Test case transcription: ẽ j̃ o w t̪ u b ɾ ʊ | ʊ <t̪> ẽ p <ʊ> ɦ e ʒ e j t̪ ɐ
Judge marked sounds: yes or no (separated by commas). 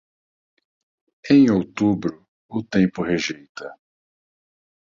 yes, yes